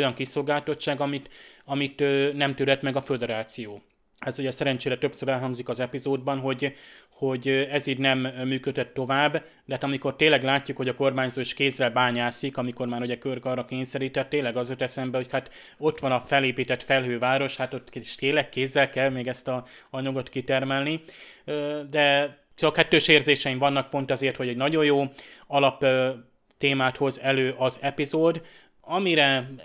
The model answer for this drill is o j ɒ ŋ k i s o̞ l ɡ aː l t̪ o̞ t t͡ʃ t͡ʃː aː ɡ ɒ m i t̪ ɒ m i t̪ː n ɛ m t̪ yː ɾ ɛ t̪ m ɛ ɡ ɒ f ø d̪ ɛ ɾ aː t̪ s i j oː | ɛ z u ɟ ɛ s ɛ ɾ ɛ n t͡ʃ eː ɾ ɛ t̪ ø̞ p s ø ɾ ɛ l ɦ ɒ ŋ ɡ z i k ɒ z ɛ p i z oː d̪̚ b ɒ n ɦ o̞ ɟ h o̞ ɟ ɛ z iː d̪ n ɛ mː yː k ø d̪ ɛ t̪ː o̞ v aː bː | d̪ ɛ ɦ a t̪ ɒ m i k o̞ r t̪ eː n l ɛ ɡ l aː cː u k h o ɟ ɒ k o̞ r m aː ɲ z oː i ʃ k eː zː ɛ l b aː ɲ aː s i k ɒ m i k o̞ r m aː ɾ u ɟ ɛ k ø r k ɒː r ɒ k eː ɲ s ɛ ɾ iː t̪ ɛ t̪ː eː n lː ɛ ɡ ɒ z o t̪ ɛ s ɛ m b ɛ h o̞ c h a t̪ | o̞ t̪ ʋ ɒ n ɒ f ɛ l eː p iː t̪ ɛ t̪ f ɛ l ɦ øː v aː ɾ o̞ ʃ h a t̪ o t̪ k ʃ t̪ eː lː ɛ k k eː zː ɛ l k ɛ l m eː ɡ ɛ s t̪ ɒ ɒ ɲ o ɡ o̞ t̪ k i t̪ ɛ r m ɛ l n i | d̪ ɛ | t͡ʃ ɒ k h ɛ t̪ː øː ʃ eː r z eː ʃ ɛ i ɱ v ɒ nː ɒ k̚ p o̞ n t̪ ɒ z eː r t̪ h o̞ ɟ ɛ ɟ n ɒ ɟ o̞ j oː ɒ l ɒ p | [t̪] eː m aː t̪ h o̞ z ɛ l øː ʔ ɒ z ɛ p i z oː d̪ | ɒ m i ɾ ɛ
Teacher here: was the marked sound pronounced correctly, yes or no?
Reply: yes